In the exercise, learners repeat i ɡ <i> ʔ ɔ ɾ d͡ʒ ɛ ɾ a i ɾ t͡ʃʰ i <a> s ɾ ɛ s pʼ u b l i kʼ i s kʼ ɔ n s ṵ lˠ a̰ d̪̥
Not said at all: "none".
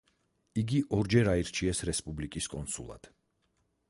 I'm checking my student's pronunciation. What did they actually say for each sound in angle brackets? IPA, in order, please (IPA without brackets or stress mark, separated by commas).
i, ɛ